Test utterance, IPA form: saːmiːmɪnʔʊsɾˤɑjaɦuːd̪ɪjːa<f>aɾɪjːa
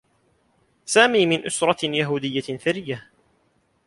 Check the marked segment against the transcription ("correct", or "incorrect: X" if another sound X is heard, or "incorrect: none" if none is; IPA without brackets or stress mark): incorrect: θ